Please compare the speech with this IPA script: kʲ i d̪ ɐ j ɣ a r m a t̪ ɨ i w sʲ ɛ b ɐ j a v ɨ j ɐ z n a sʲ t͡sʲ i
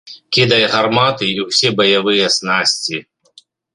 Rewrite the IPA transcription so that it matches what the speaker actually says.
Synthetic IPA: kʲ i d̪ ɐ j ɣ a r m a t̪ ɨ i w sʲ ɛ b ɐ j a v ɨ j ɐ s n a sʲ t͡sʲ i